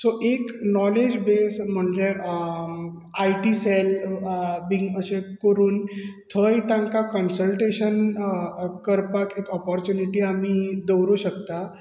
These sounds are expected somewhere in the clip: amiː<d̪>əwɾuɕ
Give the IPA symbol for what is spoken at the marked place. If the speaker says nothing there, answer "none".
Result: d̪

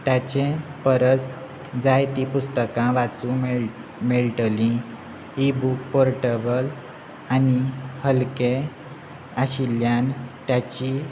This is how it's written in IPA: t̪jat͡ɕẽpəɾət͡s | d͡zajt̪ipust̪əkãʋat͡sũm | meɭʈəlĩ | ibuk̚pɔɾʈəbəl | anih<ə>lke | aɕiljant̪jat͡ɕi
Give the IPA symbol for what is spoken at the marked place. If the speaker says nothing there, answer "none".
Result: ə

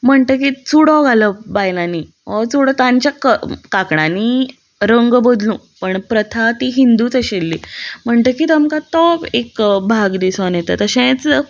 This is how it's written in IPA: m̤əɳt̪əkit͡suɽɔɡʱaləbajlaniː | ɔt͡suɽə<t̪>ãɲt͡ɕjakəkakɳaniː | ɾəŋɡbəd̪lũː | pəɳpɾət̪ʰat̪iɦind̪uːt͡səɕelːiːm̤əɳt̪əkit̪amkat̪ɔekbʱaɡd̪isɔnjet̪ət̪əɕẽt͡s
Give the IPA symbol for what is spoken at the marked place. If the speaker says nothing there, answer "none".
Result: t̪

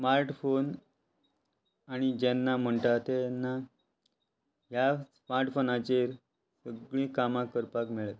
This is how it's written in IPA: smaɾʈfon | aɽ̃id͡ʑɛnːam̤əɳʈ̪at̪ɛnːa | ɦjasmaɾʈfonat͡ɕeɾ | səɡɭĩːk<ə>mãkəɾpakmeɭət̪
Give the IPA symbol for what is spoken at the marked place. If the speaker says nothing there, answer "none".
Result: a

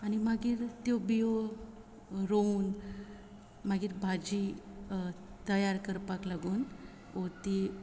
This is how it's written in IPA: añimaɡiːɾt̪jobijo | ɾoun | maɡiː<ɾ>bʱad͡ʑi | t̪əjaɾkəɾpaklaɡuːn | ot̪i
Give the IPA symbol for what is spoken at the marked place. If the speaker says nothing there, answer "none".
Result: ɾ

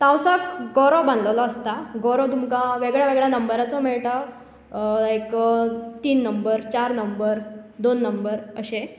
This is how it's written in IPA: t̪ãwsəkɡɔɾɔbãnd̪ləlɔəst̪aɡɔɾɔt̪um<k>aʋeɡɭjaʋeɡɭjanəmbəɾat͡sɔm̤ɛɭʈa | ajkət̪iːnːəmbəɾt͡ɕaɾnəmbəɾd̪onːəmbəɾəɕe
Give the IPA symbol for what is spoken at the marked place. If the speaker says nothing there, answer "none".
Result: k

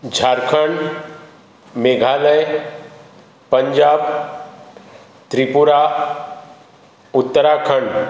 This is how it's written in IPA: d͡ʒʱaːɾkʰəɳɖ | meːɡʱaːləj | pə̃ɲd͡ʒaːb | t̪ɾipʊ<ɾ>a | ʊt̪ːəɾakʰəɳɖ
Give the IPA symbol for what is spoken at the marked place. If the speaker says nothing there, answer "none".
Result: ɾ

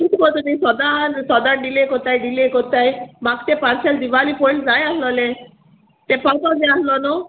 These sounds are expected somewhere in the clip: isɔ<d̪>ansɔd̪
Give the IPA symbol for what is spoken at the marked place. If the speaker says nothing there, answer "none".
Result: d̪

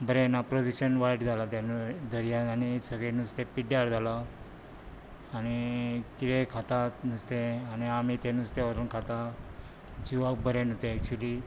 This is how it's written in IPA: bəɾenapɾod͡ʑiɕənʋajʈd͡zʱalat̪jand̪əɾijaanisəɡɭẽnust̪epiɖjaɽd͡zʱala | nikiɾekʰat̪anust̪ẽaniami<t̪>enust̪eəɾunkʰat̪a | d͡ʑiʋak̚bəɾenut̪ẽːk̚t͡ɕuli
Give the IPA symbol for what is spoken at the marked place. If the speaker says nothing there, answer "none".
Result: t̪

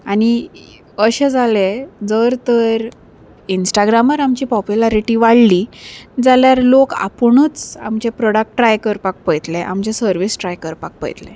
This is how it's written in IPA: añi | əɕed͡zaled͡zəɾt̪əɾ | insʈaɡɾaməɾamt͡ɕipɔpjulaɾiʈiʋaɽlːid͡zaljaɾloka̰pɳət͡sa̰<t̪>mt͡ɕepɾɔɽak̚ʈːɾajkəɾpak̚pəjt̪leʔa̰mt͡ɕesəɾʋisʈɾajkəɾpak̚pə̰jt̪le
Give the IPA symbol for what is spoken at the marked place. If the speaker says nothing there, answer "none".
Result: none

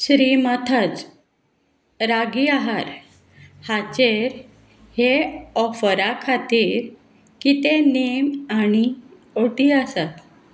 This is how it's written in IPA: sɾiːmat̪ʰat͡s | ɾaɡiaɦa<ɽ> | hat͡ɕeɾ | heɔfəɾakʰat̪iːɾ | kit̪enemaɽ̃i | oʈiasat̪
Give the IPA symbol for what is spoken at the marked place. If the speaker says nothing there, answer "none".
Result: ɾ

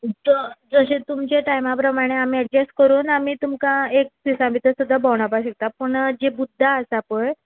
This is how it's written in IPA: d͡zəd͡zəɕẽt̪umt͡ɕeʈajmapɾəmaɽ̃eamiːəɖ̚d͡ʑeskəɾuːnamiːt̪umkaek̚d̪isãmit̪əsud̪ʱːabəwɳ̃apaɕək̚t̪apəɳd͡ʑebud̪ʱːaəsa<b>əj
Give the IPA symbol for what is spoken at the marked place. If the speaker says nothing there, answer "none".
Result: p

